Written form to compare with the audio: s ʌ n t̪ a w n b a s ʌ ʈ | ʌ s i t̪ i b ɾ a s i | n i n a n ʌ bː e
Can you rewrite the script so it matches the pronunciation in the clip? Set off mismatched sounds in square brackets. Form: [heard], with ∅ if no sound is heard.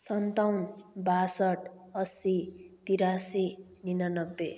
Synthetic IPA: s ʌ n t̪ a w n b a s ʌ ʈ | ʌ s i t̪ i [∅] ɾ a s i | n i n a n ʌ bː e